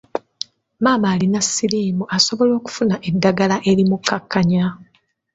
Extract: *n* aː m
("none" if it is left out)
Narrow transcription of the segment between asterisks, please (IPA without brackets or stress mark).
m